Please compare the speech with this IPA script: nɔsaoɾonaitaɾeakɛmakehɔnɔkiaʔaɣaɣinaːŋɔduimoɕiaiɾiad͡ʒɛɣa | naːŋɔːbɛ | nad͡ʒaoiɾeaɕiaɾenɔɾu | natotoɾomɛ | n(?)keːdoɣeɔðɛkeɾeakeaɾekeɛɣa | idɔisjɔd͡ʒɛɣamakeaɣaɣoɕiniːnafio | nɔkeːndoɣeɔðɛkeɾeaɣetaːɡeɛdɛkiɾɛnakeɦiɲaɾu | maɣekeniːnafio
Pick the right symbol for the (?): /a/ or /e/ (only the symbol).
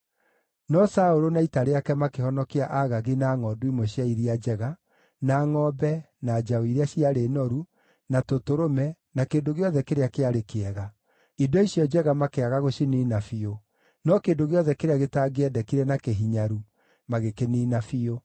a